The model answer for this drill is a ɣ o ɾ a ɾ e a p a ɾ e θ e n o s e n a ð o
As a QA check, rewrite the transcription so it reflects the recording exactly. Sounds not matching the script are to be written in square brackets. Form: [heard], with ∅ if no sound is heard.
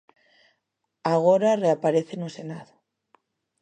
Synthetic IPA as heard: a ɣ o ɾ a [r] e a p a ɾ e θ e n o s e n a ð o